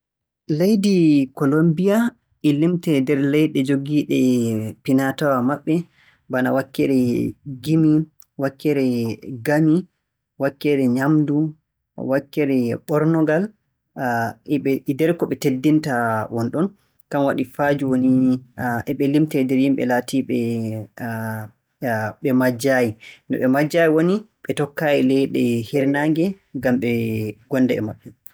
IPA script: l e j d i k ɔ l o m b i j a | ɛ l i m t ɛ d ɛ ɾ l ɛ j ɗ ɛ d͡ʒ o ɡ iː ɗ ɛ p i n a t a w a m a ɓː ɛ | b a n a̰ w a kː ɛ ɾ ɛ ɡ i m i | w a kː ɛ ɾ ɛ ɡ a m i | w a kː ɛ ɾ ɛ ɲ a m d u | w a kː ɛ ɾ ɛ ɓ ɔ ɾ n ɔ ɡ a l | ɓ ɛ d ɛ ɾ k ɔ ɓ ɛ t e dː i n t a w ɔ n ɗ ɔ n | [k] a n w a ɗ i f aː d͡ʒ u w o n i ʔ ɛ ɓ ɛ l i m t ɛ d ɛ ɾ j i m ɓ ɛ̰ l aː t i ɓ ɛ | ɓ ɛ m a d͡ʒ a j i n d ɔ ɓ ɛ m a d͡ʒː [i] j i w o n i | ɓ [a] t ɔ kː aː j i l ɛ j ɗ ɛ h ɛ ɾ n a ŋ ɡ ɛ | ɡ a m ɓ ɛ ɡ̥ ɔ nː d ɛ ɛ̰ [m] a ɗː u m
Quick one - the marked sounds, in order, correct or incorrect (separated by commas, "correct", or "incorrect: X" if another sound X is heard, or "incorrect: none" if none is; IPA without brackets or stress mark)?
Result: correct, incorrect: a, incorrect: ɛ, correct